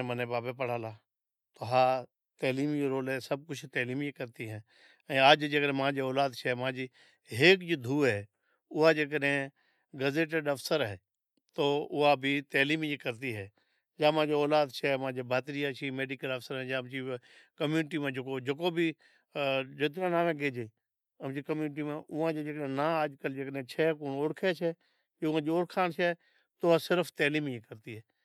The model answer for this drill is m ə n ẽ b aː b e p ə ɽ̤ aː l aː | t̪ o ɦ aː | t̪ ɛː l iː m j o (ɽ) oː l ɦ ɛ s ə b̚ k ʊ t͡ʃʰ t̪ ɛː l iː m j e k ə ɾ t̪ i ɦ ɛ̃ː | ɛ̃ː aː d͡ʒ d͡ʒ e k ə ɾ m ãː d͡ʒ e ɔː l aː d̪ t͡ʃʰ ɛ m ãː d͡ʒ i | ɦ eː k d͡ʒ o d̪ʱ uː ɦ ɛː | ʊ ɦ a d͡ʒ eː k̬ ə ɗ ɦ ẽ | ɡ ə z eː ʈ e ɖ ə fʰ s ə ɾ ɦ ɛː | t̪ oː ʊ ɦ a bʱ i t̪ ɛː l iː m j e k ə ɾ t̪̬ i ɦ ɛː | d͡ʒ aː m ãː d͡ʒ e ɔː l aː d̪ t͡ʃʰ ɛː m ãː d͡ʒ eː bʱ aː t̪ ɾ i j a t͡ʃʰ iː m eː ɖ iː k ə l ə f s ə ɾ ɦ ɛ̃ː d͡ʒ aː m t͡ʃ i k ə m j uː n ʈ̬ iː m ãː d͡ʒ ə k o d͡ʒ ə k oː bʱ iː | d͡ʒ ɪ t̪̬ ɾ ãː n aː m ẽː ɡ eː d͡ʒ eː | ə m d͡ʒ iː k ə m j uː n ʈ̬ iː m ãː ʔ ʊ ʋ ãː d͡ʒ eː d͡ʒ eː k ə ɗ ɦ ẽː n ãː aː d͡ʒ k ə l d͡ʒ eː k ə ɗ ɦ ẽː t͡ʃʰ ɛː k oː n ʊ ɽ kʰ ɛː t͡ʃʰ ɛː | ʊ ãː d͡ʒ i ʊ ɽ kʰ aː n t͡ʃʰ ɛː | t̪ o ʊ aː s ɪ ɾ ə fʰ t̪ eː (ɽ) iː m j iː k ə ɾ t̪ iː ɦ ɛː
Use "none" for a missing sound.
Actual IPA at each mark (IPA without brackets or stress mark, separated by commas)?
ɾ, l